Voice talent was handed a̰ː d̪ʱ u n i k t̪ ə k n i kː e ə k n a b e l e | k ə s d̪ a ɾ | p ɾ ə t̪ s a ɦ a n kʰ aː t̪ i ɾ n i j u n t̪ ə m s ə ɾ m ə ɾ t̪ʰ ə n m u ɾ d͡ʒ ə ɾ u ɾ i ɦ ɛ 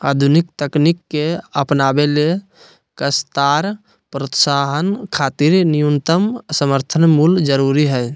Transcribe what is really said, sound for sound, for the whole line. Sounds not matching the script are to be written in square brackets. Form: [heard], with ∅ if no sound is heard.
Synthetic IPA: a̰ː d̪ʱ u n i k t̪ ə k n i kː e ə [p] n a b e l e | k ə s [t̪] a ɾ | p ɾ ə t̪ s a ɦ [ə] n kʰ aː t̪ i ɾ n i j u n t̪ ə m s ə [∅] m ə ɾ t̪ʰ ə n m u [l] d͡ʒ ə ɾ u ɾ i ɦ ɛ

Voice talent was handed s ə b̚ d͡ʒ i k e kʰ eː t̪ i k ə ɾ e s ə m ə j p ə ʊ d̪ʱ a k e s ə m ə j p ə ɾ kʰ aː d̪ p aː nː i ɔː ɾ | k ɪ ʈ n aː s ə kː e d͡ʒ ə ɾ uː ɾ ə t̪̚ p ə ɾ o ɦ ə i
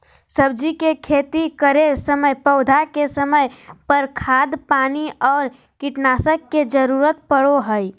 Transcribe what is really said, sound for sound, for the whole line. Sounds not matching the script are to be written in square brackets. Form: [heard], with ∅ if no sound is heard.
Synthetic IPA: s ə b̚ d͡ʒ i k e kʰ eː t̪ i k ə ɾ e s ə m ə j p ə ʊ d̪ʱ a k e s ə m ə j p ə ɾ kʰ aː d̪ p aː [n] i ɔː ɾ | k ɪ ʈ n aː s ə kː e d͡ʒ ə ɾ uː ɾ ə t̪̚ p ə [ɽ] o ɦ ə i

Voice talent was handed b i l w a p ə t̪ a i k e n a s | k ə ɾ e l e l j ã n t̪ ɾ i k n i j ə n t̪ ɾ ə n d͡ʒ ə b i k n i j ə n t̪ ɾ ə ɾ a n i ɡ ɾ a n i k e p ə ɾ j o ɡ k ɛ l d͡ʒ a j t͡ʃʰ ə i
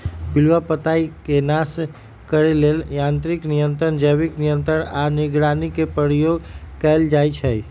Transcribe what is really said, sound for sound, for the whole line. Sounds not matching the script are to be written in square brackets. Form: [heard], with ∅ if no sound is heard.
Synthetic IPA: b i l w a p ə t̪ a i k e n a s | k ə ɾ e l e l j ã n t̪ ɾ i k n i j ə n t̪ ɾ ə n d͡ʒ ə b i k n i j ə n t̪ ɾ ə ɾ a n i ɡ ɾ a n i k e p ə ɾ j o ɡ k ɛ l d͡ʒ a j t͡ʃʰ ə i

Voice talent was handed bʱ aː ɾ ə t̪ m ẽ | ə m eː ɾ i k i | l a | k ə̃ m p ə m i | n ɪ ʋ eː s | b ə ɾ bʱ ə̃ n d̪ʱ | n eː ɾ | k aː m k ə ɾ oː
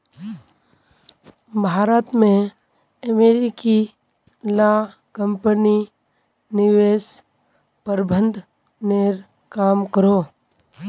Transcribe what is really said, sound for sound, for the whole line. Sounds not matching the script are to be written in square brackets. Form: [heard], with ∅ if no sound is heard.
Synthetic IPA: bʱ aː ɾ ə t̪ m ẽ | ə m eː ɾ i k i | l a | k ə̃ m p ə [n] i | n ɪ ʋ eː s | [p] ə ɾ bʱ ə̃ n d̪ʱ | n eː ɾ | k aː m k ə ɾ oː

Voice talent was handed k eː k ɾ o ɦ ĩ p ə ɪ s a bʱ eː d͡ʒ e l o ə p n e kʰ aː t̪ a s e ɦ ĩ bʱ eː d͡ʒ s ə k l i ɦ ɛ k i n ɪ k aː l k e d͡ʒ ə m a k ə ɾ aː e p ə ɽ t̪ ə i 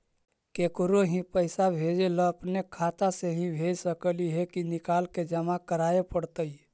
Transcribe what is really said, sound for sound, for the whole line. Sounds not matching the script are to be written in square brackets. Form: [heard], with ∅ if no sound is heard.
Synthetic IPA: k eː k ɾ o ɦ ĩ p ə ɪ s a bʱ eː d͡ʒ e l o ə p n e kʰ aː t̪ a s e ɦ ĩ bʱ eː d͡ʒ s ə k l i ɦ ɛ k i n ɪ k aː l k e d͡ʒ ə m a k ə ɾ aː e p ə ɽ t̪ ə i

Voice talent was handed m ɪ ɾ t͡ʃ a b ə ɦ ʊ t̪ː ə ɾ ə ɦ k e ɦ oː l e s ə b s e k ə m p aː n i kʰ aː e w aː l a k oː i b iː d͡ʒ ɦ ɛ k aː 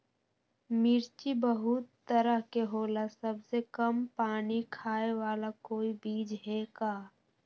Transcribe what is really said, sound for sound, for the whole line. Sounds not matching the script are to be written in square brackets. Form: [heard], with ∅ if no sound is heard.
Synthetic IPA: m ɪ ɾ t͡ʃ [i] b ə ɦ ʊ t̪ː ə ɾ ə ɦ k e ɦ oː l [a] s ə b s e k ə m p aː n i kʰ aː e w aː l a k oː i b iː d͡ʒ ɦ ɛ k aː

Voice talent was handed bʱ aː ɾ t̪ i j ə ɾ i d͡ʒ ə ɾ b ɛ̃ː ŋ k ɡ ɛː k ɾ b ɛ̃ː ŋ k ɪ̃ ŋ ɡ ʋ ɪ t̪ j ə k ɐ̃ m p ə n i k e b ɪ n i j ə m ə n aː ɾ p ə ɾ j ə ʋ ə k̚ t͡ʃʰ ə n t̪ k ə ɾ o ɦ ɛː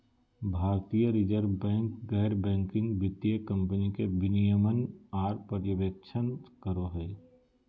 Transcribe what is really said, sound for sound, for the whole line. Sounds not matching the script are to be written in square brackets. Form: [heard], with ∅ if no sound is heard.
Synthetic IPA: bʱ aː ɾ t̪ i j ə ɾ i d͡ʒ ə ɾ b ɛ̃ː ŋ k ɡ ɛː [∅] ɾ b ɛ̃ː ŋ k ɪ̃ ŋ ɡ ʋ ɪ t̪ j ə k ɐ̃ m p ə n i k e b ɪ n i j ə m ə n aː ɾ p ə ɾ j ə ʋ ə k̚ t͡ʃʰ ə n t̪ k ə ɾ o ɦ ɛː

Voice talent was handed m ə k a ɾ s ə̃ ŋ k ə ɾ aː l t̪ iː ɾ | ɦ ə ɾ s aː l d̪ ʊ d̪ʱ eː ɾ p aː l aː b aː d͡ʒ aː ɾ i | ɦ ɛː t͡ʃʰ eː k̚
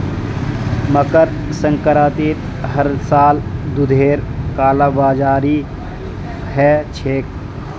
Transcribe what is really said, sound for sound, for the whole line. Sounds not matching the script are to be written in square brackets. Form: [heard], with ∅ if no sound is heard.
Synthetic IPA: m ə k [ə] ɾ s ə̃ ŋ k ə ɾ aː [∅] t̪ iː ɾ | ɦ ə ɾ s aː l d̪ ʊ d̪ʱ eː ɾ [k] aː l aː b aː d͡ʒ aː ɾ i | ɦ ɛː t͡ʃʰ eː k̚

